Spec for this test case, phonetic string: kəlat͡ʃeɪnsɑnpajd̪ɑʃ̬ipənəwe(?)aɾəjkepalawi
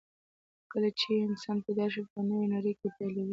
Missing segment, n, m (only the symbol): n